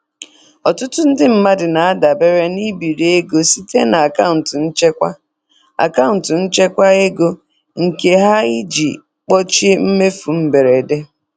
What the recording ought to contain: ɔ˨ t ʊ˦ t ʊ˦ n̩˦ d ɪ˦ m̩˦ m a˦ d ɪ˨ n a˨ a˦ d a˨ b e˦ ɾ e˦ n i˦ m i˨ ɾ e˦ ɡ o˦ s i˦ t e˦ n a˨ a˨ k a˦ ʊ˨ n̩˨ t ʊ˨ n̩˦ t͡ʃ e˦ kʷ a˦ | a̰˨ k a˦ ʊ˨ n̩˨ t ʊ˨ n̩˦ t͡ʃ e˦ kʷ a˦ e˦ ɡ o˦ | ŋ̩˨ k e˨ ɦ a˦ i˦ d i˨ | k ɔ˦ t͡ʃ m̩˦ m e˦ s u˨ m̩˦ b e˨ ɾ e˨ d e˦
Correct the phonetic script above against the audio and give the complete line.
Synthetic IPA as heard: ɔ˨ t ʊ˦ t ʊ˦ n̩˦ d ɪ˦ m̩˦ m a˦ d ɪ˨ n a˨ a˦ d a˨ b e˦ ɾ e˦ n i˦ b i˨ ɾ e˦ ɡ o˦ s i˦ t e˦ n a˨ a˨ k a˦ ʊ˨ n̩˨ t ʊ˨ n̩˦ t͡ʃ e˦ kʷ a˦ | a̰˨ k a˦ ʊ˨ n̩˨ t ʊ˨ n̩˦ t͡ʃ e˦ kʷ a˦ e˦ ɡ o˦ | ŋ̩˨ k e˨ ɦ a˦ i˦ d͡ʒ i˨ | k͡p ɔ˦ t͡ʃ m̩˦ m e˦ f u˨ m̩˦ b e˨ ɾ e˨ d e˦